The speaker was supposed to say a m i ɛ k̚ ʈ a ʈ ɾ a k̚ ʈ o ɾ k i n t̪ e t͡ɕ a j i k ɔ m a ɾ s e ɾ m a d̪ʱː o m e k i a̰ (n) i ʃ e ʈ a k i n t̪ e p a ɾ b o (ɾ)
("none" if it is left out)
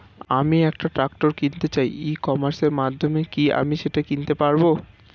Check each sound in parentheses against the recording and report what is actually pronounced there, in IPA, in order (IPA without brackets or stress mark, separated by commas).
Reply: m, none